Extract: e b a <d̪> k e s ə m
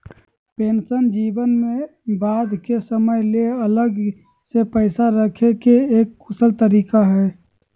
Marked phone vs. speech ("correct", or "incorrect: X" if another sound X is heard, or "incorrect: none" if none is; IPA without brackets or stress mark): correct